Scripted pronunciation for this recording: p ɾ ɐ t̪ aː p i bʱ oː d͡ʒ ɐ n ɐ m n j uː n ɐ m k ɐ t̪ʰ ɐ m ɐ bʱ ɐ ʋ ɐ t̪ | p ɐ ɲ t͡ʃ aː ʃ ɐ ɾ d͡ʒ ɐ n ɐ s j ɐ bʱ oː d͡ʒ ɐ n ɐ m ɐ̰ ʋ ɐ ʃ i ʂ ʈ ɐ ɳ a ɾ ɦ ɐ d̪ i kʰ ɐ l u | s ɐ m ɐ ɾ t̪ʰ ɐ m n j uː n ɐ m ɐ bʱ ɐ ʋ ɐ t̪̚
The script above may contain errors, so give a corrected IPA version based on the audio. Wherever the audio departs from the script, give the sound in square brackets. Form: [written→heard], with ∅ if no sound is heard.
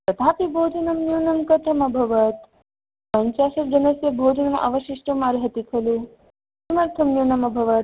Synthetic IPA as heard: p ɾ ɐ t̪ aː p i bʱ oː d͡ʒ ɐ n ɐ m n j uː n ɐ m k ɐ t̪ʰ ɐ m ɐ bʱ ɐ ʋ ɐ t̪ | p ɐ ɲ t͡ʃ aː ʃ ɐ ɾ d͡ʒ ɐ n ɐ s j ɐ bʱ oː d͡ʒ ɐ n ɐ m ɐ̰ ʋ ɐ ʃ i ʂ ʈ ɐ [ɳ→m] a ɾ ɦ ɐ [d̪→t̪] i kʰ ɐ l u | s ɐ m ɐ ɾ t̪ʰ ɐ m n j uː n ɐ m ɐ bʱ ɐ ʋ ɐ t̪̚

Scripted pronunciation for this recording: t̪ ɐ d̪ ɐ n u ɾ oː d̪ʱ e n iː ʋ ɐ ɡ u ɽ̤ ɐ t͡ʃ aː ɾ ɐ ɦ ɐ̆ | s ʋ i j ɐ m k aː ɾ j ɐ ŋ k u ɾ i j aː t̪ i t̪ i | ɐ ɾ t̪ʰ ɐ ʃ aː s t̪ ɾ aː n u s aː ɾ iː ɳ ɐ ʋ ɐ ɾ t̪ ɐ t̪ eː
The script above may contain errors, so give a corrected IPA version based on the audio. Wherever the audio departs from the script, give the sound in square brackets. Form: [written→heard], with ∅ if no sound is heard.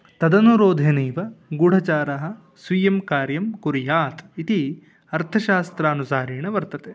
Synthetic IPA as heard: t̪ ɐ d̪ ɐ n u ɾ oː d̪ʱ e n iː ʋ ɐ ɡ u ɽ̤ ɐ t͡ʃ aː ɾ ɐ ɦ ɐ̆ | s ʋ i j ɐ m k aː ɾ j ɐ [ŋ→m] k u ɾ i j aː t̪ i t̪ i | ɐ ɾ t̪ʰ ɐ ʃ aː s t̪ ɾ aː n u s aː ɾ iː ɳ ɐ ʋ ɐ ɾ t̪ ɐ t̪ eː

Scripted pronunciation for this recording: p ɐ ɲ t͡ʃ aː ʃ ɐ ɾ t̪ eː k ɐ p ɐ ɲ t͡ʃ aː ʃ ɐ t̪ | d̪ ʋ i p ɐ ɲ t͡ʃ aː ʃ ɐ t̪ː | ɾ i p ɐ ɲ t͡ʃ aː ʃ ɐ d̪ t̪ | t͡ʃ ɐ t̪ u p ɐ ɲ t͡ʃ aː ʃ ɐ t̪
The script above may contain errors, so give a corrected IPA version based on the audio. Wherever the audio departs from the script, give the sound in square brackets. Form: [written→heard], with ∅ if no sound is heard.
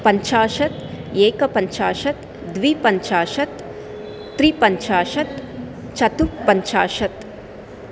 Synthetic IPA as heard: p ɐ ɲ t͡ʃ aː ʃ ɐ [ɾ→∅] t̪ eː k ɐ p ɐ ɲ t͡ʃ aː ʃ ɐ t̪ | d̪ ʋ i p ɐ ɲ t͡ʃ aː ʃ ɐ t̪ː | ɾ i p ɐ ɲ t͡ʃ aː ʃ ɐ [d̪→∅] t̪ | t͡ʃ ɐ t̪ u p ɐ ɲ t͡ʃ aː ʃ ɐ t̪

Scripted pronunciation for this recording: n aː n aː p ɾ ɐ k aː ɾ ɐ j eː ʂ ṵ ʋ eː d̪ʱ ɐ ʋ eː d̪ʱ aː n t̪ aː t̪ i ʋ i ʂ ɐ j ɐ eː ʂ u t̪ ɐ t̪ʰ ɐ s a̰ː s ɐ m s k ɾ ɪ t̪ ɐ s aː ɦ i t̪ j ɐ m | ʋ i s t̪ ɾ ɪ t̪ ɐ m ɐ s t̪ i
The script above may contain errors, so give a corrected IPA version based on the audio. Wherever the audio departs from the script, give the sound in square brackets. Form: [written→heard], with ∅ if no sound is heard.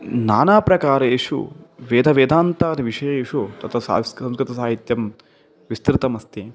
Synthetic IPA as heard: n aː n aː p ɾ ɐ k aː ɾ ɐ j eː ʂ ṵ ʋ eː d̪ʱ ɐ ʋ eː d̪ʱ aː n t̪ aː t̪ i ʋ i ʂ ɐ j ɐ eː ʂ u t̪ ɐ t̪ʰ ɐ s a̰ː s ɐ m s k ɾ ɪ t̪ ɐ s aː ɦ i t̪ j ɐ m | ʋ i s t̪ ɾ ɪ t̪ ɐ m ɐ s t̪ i

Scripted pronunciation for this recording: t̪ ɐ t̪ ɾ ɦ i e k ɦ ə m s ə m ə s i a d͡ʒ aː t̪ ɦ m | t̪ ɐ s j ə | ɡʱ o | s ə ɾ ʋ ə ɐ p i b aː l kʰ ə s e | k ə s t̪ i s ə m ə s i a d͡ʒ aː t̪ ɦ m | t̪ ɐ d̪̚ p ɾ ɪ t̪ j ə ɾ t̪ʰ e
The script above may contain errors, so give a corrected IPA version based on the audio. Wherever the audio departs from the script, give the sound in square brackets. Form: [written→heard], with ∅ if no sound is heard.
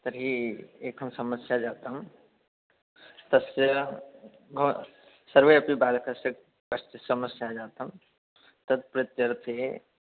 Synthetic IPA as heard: t̪ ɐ [t̪→∅] ɾ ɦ i e k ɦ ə m s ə m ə s [i→j] a d͡ʒ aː t̪ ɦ m | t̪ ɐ s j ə | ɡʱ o | s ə ɾ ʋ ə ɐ p i b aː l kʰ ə s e | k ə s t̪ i s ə m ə s [i→j] a d͡ʒ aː t̪ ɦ m | t̪ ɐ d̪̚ p ɾ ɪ t̪ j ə ɾ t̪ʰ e

